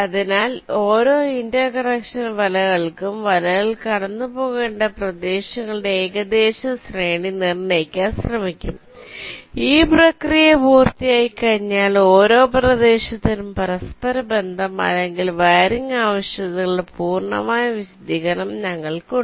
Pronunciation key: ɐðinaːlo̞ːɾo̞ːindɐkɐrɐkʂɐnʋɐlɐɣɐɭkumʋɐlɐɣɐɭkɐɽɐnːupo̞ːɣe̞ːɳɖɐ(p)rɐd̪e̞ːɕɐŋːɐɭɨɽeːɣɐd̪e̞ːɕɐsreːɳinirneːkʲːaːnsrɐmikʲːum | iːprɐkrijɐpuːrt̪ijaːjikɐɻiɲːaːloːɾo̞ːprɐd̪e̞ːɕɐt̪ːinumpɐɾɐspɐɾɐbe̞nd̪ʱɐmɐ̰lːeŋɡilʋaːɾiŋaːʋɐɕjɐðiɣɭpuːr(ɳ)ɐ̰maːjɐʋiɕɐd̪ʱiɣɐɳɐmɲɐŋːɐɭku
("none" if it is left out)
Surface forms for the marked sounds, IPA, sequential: p, ɳ

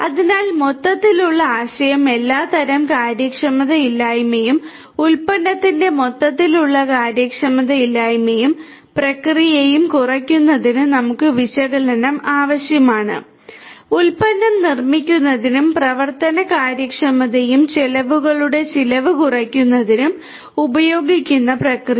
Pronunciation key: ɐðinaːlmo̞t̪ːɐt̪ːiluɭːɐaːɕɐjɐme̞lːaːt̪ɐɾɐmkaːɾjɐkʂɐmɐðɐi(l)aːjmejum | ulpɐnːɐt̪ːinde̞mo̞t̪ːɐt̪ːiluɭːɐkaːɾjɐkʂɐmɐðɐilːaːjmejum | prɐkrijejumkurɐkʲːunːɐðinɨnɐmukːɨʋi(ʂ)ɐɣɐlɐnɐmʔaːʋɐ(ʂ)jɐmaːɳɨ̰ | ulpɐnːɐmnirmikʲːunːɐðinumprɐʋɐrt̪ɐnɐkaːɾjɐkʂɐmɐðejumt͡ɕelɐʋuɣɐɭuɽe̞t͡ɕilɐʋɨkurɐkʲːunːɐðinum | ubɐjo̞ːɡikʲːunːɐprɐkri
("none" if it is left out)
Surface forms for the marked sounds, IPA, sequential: lː, ɕ, ɕ

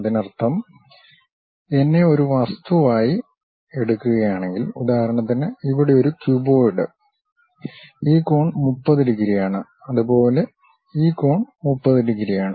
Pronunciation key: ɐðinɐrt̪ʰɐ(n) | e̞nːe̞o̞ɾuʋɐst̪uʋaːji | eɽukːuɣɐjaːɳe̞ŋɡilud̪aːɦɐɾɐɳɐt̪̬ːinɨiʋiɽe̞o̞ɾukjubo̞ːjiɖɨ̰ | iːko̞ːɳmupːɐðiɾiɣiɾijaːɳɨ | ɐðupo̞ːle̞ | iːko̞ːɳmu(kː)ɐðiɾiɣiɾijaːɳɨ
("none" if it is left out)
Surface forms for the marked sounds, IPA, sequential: m, pː

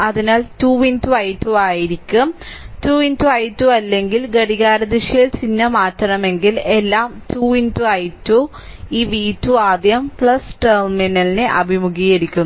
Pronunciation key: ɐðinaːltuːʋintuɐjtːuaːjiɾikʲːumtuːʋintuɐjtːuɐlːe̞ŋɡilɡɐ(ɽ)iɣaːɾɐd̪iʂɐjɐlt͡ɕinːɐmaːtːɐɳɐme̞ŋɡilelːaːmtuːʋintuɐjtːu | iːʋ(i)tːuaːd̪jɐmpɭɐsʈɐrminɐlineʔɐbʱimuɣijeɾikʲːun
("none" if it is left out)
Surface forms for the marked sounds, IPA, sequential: ɽ, iː

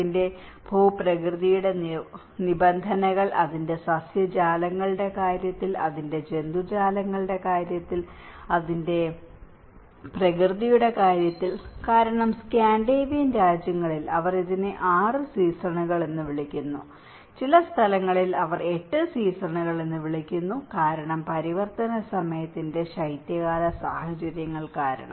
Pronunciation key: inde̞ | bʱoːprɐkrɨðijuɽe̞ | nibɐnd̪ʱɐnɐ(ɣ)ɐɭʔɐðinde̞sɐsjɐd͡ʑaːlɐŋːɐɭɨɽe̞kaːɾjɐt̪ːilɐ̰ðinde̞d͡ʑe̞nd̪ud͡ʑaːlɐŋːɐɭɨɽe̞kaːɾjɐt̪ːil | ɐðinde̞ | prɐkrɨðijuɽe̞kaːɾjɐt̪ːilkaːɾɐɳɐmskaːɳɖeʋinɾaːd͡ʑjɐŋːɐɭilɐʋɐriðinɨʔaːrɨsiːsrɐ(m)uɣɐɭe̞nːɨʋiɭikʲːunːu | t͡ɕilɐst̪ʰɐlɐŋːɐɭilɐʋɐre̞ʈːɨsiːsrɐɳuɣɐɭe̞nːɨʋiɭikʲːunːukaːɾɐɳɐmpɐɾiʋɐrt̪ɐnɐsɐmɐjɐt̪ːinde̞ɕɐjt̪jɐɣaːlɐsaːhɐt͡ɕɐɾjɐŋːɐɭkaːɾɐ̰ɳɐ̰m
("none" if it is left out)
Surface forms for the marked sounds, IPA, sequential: ɣ, ɳ

